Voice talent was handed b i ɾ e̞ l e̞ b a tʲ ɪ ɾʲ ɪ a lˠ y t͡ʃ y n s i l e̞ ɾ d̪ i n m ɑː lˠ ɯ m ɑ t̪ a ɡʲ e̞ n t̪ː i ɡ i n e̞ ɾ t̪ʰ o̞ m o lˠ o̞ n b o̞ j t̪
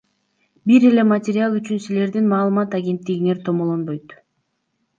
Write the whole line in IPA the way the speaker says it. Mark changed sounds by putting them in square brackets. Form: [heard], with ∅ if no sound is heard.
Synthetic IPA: b i ɾ e̞ l e̞ [m] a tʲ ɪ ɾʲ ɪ a lˠ y t͡ʃ y n s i l e̞ ɾ d̪ i n m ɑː lˠ ɯ m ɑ t̪ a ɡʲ e̞ n t̪ː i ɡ i n e̞ ɾ t̪ʰ o̞ m o lˠ o̞ n b o̞ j t̪